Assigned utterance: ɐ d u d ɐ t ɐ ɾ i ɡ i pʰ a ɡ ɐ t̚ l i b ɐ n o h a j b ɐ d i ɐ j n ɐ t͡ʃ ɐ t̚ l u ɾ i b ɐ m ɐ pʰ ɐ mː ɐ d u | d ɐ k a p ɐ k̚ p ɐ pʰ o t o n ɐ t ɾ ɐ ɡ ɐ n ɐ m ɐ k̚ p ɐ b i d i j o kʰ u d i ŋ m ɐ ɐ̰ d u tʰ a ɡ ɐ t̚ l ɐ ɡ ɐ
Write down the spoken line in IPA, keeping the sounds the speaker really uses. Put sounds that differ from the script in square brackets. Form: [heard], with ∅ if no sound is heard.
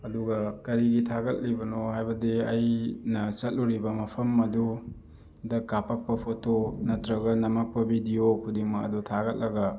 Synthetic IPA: ɐ d u [ɡ] ɐ [k] ɐ ɾ i ɡ i [tʰ] a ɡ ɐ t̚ l i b ɐ n o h a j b ɐ d i ɐ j n ɐ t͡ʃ ɐ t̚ l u ɾ i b ɐ m ɐ pʰ ɐ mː ɐ d u | d ɐ k a p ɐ k̚ p ɐ pʰ o t o n ɐ t ɾ ɐ ɡ ɐ n ɐ m ɐ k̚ p ɐ b i d i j o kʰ u d i ŋ m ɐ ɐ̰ d u tʰ a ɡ ɐ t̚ l ɐ ɡ ɐ

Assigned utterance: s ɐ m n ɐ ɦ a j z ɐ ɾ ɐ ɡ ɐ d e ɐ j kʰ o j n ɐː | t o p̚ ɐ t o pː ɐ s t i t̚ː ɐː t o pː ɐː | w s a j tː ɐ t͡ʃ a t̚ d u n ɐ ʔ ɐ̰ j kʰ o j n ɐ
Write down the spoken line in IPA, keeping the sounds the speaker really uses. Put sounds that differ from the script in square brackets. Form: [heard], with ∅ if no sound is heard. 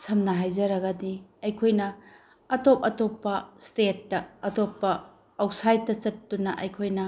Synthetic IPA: s ɐ m n ɐ ɦ a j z ɐ ɾ ɐ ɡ ɐ d [i] ɐ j kʰ o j n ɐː | t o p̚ ɐ t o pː ɐ s t [e] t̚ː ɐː t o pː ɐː | w s a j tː ɐ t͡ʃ [ɐ] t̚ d u n ɐ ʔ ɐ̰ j kʰ o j n ɐ

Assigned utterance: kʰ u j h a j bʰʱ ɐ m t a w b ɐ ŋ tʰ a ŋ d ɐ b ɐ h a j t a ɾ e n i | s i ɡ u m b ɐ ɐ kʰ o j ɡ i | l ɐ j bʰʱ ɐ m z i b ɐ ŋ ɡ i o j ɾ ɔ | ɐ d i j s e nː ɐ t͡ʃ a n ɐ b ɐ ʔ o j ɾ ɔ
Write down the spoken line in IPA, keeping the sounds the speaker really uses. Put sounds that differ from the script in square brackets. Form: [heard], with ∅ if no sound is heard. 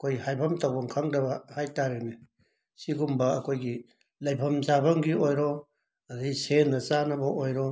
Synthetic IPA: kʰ [o] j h a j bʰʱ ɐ m t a w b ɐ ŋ [kʰ] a ŋ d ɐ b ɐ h a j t a ɾ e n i | s i ɡ u m b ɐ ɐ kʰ o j ɡ i | l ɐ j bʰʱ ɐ m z [a] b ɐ ŋ ɡ i o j ɾ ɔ | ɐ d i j s e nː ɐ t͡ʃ a n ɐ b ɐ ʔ o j ɾ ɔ

